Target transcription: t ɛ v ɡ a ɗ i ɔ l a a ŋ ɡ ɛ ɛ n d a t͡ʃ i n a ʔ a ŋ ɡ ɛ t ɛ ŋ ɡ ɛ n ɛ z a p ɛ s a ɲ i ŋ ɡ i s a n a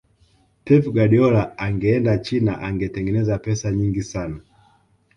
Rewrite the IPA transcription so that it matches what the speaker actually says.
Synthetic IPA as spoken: t ɛ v ɡ a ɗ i ɔ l a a ŋ ɡ ɛ ɛ n d a t͡ʃ i n a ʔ a ŋ ɡ ɛ t ɛ ŋ ɡ ɛ n ɛ z a p ɛ s a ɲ i ŋ ɡ i s a n a

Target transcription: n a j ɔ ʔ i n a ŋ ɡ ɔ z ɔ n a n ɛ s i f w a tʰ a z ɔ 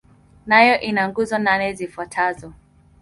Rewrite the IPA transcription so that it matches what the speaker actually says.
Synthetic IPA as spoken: n a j ɔ ʔ i n a ŋ ɡ u z ɔ n a n ɛ z i f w a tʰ a z ɔ

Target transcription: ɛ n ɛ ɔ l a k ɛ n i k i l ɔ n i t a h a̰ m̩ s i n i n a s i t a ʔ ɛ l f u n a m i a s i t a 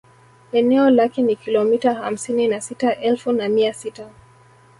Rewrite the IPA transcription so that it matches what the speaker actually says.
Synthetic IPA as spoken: ɛ n ɛ ɔ l a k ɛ n i k i l ɔ m i t a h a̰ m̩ s i n i n a s i t a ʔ ɛ l f u n a m i a s i t a

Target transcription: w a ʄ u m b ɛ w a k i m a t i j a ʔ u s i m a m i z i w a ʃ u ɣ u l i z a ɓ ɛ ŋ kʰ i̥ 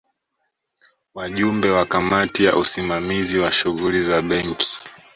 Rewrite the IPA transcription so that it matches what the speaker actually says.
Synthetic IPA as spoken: w a ʄ u m b ɛ w a k a m a t i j a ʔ u s i m a m i z i w a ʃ u ɣ u l i z a ɓ ɛ ŋ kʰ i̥

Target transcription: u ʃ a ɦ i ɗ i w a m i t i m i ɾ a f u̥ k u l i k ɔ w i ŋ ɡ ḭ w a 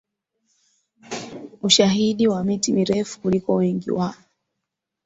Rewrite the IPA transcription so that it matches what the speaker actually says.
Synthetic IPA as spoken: u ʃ a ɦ i ɗ i w a m i t i m i ɾ ɛ f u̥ k u l i k ɔ w ɛ ŋ ɡ ḭ w a

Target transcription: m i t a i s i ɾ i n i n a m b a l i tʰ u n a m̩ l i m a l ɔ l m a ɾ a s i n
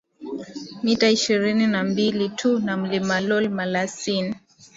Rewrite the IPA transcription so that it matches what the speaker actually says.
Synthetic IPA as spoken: m i t a i ʃ i ɾ i n i n a m b i l i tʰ u n a m̩ l i m a l ɔ l m a l a s i n

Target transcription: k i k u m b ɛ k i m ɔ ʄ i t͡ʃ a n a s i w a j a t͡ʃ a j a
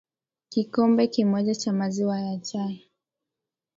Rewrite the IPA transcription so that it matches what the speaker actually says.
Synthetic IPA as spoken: k i k ɔ m b ɛ k i m ɔ ʄ a t͡ʃ a m a z i w a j a t͡ʃ a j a

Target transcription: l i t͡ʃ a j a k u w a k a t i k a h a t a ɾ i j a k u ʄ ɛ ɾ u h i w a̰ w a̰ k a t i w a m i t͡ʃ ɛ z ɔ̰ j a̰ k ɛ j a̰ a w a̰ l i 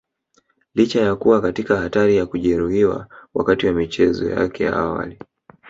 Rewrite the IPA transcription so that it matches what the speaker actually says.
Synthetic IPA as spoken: l i t͡ʃ a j a k u w a k a t i k a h a t a ɾ i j a k u ʄ ɛ ɾ u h i w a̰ w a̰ k a t i w a m i t͡ʃ ɛ z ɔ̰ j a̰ k ɛ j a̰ a w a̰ l i

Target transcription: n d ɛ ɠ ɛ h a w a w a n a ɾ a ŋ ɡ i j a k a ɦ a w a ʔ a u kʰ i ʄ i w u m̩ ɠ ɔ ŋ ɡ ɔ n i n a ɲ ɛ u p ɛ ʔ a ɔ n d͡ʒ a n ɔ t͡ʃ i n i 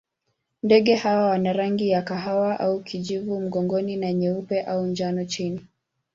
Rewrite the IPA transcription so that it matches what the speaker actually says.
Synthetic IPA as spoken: n d ɛ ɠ ɛ h a w a w a n a ɾ a ŋ ɡ i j a k a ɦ a w a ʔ a u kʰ i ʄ i v u m̩ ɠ ɔ ŋ ɡ ɔ n i n a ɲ ɛ u p ɛ ʔ a u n d͡ʒ a n ɔ t͡ʃ i n i

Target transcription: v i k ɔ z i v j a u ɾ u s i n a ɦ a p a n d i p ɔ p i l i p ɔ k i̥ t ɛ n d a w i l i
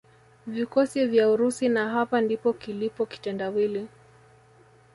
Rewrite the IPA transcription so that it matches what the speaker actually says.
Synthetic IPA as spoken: v i k ɔ s i v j a u ɾ u s i n a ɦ a p a n d i p ɔ k i l i p ɔ k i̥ t ɛ n d a w i l i

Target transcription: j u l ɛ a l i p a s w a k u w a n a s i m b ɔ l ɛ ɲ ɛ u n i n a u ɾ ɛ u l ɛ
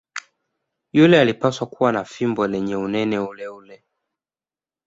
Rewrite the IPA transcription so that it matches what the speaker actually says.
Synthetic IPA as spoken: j u l ɛ a l i p a s w a k u w a n a f i m b ɔ l ɛ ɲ ɛ u n ɛ n ɛ u l ɛ u l ɛ

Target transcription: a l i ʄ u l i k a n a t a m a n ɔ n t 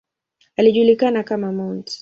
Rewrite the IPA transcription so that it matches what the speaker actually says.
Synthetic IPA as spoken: a l i ʄ u l i k a n a k a m a m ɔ n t

